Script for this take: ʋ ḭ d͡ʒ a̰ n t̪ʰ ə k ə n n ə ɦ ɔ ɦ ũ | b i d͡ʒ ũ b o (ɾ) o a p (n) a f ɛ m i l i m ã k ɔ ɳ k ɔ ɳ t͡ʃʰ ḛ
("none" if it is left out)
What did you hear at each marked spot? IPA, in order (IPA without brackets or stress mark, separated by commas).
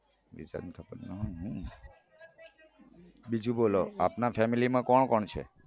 l, n